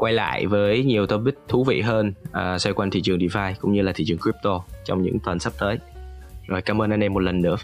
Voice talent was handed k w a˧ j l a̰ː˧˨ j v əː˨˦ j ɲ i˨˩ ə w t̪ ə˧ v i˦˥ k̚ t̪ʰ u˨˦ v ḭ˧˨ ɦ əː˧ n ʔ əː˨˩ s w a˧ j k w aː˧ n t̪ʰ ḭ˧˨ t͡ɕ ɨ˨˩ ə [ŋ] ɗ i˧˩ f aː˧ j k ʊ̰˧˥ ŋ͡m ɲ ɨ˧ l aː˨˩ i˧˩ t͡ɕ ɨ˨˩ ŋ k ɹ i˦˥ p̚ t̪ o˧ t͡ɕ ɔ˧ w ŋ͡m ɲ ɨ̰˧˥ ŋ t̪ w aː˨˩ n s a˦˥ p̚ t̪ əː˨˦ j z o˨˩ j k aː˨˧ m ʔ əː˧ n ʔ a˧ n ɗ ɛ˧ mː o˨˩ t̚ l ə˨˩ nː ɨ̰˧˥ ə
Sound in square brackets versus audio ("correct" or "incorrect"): correct